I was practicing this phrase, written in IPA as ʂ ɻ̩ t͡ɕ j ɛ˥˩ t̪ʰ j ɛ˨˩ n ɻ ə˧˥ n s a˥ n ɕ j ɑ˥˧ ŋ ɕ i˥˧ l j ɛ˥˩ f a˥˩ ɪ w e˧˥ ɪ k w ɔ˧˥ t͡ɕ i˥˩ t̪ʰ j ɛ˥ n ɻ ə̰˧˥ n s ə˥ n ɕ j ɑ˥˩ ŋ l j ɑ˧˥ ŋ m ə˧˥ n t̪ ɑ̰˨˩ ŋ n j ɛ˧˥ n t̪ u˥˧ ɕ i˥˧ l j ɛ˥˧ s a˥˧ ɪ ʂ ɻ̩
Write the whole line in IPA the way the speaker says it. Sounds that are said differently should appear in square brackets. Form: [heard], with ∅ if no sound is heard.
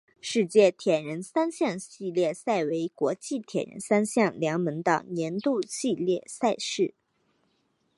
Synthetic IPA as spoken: ʂ ɻ̩ t͡ɕ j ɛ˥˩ t̪ʰ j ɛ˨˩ n ɻ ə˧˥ n s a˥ n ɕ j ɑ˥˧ ŋ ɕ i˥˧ l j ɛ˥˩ [s] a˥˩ ɪ w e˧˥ ɪ k w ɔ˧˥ t͡ɕ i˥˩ t̪ʰ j [ɛ˨˩] n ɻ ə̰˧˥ n s [a˥] n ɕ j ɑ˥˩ ŋ l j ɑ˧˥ ŋ m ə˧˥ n t̪ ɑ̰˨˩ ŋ n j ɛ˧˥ n t̪ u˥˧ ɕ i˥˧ l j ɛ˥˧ s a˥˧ ɪ ʂ ɻ̩